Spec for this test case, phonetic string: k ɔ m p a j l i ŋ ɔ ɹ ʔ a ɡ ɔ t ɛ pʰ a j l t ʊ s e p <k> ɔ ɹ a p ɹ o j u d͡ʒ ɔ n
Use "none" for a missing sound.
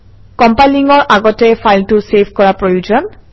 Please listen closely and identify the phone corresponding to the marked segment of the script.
k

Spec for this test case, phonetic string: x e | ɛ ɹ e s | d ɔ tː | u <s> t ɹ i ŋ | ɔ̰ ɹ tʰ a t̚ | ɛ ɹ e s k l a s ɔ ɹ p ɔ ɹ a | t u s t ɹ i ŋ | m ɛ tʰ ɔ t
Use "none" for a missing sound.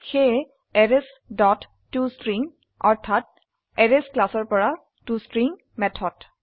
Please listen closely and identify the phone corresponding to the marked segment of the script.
s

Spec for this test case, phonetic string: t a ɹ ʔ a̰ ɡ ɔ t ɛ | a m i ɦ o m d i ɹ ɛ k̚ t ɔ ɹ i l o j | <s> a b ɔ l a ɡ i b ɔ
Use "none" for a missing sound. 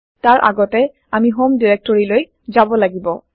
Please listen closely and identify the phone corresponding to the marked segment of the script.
z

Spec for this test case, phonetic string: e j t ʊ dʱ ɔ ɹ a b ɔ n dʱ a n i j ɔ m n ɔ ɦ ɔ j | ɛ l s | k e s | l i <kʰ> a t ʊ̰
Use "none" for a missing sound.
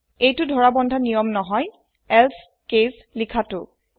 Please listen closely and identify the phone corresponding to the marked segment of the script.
kʰ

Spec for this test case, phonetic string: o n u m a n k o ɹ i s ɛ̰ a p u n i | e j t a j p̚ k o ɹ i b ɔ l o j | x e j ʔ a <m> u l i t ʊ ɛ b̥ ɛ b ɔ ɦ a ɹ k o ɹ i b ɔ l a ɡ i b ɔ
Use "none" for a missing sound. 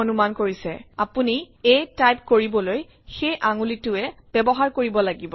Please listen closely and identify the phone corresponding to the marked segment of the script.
ŋ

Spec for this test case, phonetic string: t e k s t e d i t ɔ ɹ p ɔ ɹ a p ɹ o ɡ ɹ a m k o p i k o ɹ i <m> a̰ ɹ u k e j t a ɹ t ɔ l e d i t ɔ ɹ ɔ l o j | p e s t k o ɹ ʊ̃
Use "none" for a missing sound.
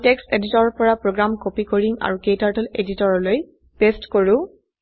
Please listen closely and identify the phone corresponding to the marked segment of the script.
ŋ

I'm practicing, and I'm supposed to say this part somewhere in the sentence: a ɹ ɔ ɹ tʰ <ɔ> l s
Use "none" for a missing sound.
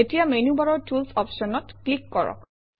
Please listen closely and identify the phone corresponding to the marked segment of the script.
u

